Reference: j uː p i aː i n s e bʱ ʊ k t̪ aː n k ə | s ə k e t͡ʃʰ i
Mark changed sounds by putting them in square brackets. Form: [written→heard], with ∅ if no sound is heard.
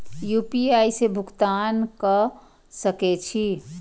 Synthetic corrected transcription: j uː p i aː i [n→∅] s e bʱ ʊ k t̪ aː n k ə | s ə k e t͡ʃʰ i

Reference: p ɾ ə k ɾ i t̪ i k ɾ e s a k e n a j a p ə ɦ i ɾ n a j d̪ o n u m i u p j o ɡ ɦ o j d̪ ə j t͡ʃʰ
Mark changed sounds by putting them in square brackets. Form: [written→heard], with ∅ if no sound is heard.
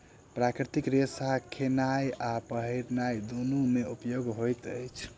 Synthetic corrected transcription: p ɾ [ə→a] k ɾ i t̪ i k ɾ e s a [k→kʰ] e n a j a p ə ɦ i ɾ n a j d̪ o n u m [i→e] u p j o ɡ ɦ o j [d̪→t̪] ə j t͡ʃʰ

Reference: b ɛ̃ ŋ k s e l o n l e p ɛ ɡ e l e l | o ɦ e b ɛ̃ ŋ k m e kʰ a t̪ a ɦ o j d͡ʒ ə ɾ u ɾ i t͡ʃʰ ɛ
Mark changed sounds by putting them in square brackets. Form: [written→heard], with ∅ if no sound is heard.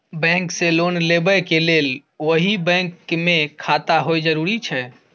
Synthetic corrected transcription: b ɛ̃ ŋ k s e l o n l e [p→b] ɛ [ɡ→k] e l e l | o ɦ [e→i] b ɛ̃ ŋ k m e kʰ a t̪ a ɦ o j d͡ʒ ə ɾ u ɾ i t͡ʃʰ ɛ

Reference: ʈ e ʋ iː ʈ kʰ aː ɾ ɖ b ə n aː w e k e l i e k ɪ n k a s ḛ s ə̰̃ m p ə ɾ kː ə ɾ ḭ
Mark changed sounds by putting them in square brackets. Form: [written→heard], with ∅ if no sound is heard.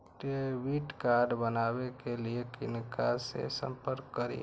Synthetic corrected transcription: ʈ e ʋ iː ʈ [kʰ→k] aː ɾ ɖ b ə n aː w e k e l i e k ɪ n k a s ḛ s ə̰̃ m p ə ɾ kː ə ɾ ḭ

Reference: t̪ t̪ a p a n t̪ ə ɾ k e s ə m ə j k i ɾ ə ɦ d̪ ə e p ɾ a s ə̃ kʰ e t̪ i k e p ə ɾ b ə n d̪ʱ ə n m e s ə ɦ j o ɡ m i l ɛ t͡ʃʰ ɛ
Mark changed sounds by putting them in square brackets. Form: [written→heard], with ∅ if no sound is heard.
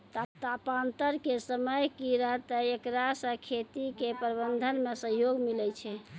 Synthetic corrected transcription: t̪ t̪ a p a n t̪ ə ɾ k e s ə m ə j k i ɾ ə ɦ [d̪→t̪] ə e [p→k] ɾ a s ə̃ kʰ e t̪ i k e p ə ɾ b ə n d̪ʱ ə n m e s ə ɦ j o ɡ m i l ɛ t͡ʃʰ ɛ

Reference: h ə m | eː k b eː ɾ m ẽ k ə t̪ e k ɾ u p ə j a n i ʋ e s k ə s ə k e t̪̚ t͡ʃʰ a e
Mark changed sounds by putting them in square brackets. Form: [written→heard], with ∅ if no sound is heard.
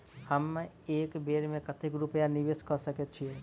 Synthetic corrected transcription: h ə m | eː k b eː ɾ m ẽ k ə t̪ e k ɾ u p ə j a n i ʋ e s k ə s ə k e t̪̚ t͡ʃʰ [a→i] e

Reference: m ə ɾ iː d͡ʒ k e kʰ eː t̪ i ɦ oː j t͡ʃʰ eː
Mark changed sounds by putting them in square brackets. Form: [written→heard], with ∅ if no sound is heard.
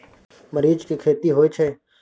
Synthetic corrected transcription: m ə ɾ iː d͡ʒ k [e→i] kʰ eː t̪ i ɦ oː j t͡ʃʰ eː

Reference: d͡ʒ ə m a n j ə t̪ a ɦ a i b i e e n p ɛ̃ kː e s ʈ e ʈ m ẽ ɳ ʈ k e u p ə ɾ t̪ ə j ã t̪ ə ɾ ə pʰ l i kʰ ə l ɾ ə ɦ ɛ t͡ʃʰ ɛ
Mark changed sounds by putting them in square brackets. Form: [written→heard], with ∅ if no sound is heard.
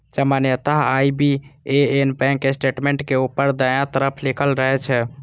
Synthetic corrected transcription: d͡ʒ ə m a n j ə t̪ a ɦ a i b i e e n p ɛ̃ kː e s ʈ e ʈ m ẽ ɳ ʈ k e u p ə ɾ [t̪→d̪] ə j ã t̪ ə ɾ ə pʰ l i kʰ ə l ɾ ə ɦ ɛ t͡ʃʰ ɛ

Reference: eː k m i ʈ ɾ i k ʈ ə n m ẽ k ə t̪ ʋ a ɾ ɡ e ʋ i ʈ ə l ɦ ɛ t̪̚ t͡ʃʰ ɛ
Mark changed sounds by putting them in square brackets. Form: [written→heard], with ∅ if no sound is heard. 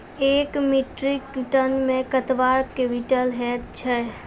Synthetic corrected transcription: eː k m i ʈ ɾ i k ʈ ə n m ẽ k ə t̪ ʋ a ɾ [ɡ→k] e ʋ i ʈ ə l ɦ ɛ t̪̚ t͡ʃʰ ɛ

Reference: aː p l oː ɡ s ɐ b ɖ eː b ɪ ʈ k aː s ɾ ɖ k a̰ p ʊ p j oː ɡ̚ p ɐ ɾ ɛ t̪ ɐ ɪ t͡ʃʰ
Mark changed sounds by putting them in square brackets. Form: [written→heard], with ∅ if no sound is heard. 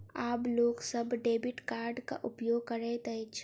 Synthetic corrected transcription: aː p l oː ɡ s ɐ b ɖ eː b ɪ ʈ k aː [s→∅] ɾ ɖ k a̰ [p→ʔ] ʊ p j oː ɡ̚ [p→k] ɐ ɾ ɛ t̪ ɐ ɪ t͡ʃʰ

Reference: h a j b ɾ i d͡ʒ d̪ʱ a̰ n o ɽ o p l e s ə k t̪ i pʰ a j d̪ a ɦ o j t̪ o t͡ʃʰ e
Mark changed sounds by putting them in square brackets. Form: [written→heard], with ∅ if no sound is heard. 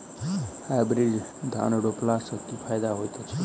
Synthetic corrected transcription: h a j b ɾ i d͡ʒ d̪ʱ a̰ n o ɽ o p l [e→a] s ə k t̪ i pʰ a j d̪ a ɦ o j t̪ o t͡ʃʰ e

